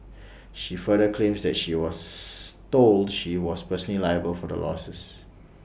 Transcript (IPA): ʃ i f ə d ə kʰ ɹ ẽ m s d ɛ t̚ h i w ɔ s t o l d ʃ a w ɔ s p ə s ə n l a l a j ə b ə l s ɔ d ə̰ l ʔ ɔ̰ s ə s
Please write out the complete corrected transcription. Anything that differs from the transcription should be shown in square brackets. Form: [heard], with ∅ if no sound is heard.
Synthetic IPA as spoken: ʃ i f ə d ə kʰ [l] ẽ m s d ɛ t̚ [ʃ] i w ɔ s t o l d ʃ [i] w ɔ s p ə s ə n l [i] l a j ə b ə l [f] ɔ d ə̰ l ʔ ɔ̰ s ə s